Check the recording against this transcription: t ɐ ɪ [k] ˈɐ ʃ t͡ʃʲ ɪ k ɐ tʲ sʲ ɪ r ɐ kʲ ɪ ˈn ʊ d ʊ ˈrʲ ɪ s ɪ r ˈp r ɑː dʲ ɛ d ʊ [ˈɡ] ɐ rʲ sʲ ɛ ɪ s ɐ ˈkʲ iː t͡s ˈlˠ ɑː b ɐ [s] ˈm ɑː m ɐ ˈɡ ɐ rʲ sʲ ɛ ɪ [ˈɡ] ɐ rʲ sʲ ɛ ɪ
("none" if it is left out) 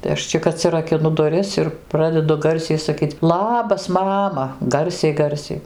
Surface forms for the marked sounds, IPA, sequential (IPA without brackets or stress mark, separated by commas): none, ɡ, s, ɡ